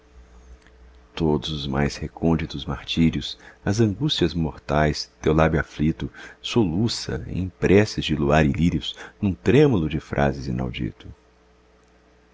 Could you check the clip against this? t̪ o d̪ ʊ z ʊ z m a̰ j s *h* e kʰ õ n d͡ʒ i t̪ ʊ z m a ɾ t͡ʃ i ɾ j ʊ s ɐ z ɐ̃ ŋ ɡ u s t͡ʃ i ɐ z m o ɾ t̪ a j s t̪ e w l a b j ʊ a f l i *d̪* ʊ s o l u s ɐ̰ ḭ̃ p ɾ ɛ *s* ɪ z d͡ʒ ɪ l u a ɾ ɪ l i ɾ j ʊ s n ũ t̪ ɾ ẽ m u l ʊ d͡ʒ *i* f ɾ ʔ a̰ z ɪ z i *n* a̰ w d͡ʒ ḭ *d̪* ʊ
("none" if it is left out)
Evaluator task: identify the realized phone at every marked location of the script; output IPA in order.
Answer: h, t̪, s, ɪ, n, t̪

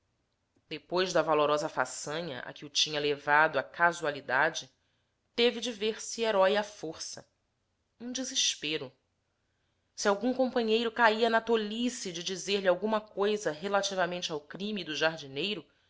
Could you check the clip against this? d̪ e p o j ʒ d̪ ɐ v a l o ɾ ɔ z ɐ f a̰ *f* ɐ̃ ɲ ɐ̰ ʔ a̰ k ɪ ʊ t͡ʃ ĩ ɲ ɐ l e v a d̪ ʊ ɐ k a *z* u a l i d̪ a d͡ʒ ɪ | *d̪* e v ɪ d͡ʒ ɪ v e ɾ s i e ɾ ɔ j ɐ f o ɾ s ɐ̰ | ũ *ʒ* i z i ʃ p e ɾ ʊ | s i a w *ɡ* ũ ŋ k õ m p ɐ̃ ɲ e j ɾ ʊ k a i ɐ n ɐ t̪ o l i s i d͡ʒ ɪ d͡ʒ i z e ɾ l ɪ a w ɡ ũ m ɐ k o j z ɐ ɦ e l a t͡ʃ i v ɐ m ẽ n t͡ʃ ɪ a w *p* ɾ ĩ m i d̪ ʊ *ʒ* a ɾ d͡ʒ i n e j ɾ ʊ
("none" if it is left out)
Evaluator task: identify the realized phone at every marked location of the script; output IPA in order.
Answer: s, z, t̪, d͡ʒ, ɡ, k, ʒ

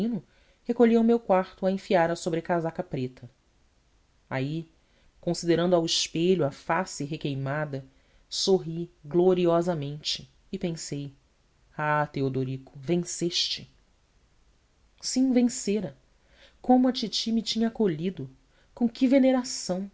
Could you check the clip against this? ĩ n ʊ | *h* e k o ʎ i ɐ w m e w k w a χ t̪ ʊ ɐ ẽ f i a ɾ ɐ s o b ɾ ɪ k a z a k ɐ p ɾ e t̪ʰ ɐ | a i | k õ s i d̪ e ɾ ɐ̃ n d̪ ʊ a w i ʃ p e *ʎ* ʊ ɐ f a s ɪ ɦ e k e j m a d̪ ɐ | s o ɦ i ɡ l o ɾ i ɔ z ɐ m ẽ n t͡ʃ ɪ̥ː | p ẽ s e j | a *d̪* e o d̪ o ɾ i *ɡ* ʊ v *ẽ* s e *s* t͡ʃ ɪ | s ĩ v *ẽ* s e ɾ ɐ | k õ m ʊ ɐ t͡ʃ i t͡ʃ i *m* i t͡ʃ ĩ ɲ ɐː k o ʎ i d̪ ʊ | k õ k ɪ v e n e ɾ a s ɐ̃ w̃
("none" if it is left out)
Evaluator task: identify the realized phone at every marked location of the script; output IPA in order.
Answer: h, ʎ, t̪, k, ẽ, ʃ, ẽ, m

